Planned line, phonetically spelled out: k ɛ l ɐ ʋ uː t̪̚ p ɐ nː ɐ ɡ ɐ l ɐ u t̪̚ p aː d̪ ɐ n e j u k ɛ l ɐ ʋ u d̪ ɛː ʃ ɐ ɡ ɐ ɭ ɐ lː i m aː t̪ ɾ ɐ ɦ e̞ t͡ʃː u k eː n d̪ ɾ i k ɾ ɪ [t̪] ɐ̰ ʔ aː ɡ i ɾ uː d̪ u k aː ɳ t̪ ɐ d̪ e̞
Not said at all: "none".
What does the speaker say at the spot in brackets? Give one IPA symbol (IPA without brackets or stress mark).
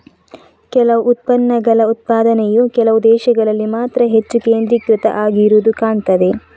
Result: t̪